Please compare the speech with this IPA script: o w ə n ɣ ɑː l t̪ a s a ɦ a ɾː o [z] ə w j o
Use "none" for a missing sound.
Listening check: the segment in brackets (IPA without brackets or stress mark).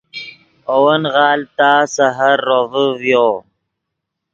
v